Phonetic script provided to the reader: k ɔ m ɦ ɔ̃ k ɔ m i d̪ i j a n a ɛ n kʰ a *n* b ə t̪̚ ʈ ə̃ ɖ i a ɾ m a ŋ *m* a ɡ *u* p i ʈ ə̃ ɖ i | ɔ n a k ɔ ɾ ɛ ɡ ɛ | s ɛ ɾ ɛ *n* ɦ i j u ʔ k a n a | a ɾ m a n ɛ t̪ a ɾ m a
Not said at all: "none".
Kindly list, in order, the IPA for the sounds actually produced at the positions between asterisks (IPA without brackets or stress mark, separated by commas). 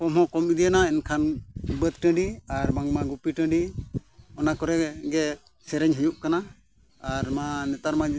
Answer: n, m, u, ɲ